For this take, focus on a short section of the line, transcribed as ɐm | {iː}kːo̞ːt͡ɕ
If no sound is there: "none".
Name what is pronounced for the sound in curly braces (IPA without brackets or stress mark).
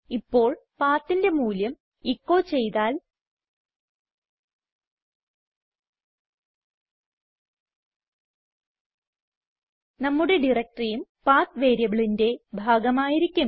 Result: i